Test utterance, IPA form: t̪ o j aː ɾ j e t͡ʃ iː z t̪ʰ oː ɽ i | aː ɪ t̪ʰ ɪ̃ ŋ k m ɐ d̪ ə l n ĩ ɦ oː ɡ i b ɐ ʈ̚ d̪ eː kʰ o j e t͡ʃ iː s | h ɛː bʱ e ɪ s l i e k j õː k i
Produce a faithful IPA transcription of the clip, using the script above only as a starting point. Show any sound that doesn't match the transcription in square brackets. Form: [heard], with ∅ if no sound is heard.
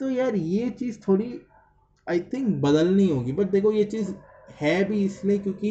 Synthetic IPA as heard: t̪ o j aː ɾ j e t͡ʃ iː z t̪ʰ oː ɽ i | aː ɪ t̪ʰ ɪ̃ ŋ k [b] ɐ d̪ ə l n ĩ ɦ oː ɡ i b ɐ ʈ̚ d̪ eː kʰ o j e t͡ʃ iː [z] | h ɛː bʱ [i] ɪ s l i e k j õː k i